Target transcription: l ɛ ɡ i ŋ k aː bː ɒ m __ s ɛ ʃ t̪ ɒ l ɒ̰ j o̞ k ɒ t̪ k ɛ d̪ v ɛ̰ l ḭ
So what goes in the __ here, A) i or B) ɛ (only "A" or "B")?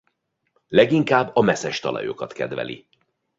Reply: B